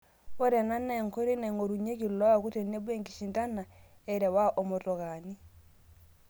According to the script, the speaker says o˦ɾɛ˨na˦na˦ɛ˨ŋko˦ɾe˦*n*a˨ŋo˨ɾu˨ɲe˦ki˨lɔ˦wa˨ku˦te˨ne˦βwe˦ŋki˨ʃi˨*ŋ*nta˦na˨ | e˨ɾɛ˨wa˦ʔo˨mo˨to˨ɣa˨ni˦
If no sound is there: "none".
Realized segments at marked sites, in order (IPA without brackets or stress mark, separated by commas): n, none